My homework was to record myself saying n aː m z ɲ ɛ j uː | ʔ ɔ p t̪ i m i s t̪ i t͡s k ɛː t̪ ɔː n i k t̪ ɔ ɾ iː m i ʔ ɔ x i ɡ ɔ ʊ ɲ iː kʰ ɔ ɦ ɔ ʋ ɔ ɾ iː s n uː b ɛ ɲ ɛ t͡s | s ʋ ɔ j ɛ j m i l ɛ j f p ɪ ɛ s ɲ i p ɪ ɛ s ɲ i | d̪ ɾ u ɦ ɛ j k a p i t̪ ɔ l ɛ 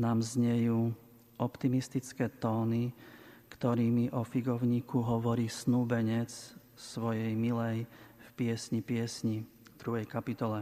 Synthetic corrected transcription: n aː m z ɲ ɛ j uː | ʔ ɔ p t̪ i m i s t̪ i t͡s k ɛː t̪ ɔː n i k t̪ ɔ ɾ iː m i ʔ ɔ f i ɡ ɔ ʊ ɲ iː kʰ u ɦ ɔ ʋ ɔ ɾ iː s n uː b ɛ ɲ ɛ t͡s | s ʋ ɔ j ɛ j m i l ɛ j f p ɪ ɛ s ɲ i p ɪ ɛ s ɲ i | d̪ ɾ u ɦ ɛ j k a p i t̪ ɔ l ɛ